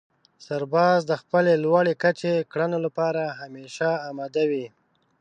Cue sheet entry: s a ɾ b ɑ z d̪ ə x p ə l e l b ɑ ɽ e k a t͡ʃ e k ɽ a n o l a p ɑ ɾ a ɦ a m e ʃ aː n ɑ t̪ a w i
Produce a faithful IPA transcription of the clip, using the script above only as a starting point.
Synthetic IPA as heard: s a ɾ b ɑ z d̪ ə x p ə l e l w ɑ ɽ e k a t͡ʃ e k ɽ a n o l a p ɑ ɾ a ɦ a m e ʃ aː m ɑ d̪ a w i